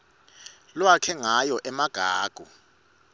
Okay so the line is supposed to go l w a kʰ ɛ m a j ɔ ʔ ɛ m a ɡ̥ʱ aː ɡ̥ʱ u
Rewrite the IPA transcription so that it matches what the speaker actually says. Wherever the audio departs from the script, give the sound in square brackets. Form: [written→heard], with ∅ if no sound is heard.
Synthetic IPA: l w a kʰ ɛ [m→ŋ] a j ɔ ʔ ɛ m a ɡ̥ʱ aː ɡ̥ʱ u